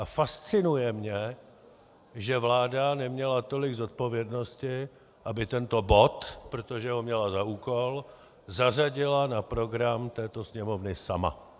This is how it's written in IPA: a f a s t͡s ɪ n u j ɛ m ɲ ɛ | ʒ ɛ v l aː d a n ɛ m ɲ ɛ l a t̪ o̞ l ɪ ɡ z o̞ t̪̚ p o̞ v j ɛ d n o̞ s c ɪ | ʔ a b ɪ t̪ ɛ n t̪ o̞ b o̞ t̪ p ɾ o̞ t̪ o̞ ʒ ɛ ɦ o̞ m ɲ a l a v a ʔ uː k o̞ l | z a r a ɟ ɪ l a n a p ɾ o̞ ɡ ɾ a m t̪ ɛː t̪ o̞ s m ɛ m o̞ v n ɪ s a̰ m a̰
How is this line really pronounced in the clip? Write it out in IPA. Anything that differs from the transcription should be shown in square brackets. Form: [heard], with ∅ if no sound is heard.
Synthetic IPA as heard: a f a s t͡s ɪ n u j ɛ m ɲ ɛ | ʒ ɛ v l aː d a n ɛ m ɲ ɛ l a t̪ o̞ l ɪ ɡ z o̞ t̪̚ p o̞ v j ɛ d n o̞ s c ɪ | ʔ a b ɪ t̪ ɛ n t̪ o̞ b o̞ t̪ p ɾ o̞ t̪ o̞ ʒ ɛ ɦ o̞ m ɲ [ɛ] l a [z] a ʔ uː k o̞ l | z a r a ɟ ɪ l a n a p ɾ o̞ ɡ ɾ a m t̪ ɛː t̪ o̞ s [ɲ] ɛ m o̞ v n ɪ s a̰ m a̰